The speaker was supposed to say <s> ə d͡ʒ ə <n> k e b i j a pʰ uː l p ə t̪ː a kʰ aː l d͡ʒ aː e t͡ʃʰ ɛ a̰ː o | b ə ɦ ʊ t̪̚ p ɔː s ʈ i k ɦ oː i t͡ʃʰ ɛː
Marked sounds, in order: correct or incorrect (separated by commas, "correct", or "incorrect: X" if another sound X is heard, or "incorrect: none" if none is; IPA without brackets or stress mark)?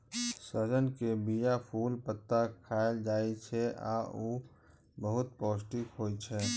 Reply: correct, correct